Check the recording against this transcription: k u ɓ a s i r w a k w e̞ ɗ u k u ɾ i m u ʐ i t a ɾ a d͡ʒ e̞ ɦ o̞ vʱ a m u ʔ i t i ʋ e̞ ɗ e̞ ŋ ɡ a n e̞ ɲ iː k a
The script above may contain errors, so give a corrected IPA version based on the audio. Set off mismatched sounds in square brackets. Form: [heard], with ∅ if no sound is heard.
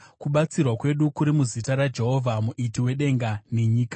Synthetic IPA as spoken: k u ɓ a [t͡s] i r w a k w e̞ ɗ u k u ɾ i m u [z] i t a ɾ a d͡ʒ e̞ ɦ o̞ vʱ a m u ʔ i t i [w] e̞ ɗ e̞ ŋ ɡ a n e̞ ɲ iː k a